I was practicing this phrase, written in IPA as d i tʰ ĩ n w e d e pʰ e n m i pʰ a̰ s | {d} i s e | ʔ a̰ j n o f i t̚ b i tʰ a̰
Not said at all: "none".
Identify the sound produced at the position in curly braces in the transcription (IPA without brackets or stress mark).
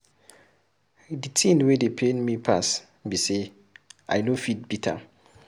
b